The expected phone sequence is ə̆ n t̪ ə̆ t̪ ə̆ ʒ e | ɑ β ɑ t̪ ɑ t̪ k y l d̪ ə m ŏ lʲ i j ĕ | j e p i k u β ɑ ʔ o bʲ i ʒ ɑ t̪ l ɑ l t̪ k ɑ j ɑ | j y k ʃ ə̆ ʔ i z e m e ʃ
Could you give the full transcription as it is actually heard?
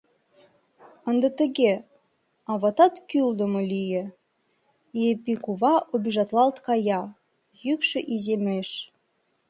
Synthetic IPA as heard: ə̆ n d̪ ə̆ t̪ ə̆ ɣ e | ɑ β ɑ t̪ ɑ t̪ k y l d̪ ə m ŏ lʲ i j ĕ | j e p i k u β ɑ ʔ o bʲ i ʒ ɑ t̪ l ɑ l t̪ k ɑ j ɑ | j y k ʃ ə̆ ʔ i z e m e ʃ